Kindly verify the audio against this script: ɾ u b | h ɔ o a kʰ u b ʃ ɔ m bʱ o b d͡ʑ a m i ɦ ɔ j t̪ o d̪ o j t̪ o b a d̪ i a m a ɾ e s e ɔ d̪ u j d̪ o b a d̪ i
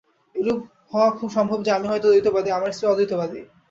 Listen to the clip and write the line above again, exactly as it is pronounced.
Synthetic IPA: ɾ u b | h ɔ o a kʰ u b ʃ ɔ m bʱ o b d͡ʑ a m i ɦ ɔ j t̪ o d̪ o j t̪ o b a d̪ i a m a ɾ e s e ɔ d̪ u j t̪ o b a d̪ i